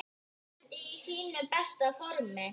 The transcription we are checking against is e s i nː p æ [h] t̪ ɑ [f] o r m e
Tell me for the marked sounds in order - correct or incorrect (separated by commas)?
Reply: incorrect, correct